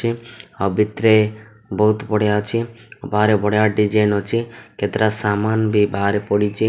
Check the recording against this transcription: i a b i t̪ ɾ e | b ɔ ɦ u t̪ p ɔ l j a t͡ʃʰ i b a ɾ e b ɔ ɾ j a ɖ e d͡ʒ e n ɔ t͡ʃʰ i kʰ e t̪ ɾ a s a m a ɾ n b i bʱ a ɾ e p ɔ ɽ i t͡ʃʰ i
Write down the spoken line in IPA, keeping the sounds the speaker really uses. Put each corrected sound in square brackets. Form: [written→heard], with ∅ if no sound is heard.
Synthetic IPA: i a b i t̪ ɾ e | b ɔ ɦ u t̪ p ɔ [l→ɽ] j a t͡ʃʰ i b a ɾ e b ɔ [ɾ→ɽ] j a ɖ [e→i] d͡ʒ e n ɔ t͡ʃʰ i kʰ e t̪ ɾ a s a m a [ɾ→∅] n b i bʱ a ɾ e p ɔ ɽ i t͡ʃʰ i